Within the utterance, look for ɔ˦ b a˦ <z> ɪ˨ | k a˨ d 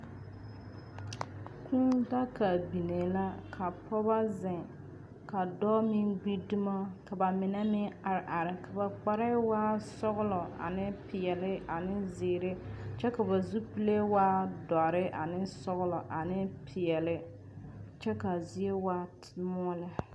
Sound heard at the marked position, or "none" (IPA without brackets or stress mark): z